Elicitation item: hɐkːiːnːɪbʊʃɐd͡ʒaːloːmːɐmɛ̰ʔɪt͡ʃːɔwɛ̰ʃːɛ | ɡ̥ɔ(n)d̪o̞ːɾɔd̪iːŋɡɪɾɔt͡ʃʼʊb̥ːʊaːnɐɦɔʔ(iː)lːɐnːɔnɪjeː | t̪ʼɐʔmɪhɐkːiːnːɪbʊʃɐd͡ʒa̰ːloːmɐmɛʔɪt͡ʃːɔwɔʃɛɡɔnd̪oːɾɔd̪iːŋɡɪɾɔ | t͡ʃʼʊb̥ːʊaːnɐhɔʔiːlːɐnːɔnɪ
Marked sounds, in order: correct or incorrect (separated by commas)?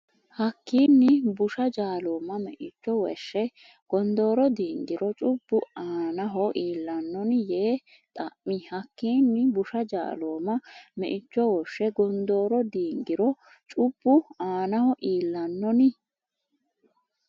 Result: correct, correct